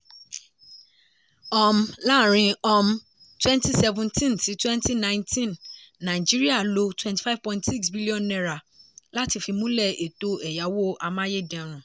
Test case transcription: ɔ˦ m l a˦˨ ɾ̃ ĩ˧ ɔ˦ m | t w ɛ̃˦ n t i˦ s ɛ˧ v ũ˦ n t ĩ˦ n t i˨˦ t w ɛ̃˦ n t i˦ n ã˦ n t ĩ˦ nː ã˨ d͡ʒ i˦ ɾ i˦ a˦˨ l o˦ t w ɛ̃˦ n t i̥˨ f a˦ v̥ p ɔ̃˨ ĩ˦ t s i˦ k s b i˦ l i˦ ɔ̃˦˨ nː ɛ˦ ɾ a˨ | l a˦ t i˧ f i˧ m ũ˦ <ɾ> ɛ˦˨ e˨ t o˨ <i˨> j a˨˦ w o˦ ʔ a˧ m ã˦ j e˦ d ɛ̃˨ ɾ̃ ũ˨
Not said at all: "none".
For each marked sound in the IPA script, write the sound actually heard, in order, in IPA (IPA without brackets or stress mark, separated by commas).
l, ɛ˨